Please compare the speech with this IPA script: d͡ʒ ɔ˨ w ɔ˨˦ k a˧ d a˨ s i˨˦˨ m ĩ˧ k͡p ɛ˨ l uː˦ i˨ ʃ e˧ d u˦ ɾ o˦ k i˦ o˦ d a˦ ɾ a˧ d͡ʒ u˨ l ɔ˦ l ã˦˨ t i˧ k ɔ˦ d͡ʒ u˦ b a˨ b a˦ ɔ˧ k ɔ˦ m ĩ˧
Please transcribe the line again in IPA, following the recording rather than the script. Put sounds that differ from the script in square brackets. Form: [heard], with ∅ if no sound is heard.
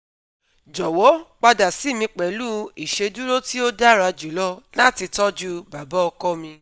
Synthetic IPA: d͡ʒ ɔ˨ w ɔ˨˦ [k͡p] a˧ d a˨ s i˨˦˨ m ĩ˧ k͡p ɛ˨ l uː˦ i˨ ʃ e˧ d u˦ ɾ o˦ [t] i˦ o˦ d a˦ ɾ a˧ d͡ʒ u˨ l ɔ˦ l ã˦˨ t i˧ [t] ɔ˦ d͡ʒ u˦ b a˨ b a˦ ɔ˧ k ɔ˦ m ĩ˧